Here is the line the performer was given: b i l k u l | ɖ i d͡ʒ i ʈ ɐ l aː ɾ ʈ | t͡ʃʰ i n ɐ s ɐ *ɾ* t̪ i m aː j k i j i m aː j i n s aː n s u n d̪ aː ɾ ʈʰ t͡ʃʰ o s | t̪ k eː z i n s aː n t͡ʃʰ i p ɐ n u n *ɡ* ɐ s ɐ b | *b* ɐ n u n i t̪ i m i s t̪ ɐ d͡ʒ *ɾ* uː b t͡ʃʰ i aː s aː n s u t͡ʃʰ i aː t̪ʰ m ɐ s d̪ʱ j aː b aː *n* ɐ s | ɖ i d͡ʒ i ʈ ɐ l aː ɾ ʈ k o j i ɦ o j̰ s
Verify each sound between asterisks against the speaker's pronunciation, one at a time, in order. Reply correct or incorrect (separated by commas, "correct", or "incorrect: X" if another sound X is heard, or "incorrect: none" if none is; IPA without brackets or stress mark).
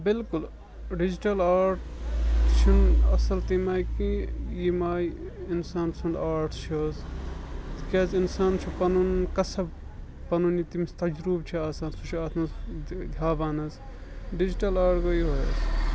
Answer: incorrect: l, incorrect: k, incorrect: p, correct, correct